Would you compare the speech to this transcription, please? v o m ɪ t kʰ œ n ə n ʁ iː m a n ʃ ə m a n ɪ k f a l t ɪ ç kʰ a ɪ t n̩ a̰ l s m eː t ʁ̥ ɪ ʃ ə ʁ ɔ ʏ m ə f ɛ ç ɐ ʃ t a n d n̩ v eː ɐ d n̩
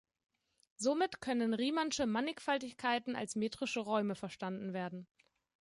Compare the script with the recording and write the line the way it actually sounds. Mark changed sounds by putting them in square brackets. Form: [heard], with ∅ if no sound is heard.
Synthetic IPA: [z] o m ɪ t kʰ œ n ə n ʁ iː m a n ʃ ə m a n ɪ k f a l t ɪ ç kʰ a ɪ t n̩ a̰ l s m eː t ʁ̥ ɪ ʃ ə ʁ ɔ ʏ m ə f ɛ [∅] ɐ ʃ t a n d n̩ v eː ɐ d n̩